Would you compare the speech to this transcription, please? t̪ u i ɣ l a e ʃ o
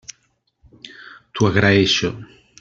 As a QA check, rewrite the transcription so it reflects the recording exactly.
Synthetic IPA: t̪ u a ɣ ɾ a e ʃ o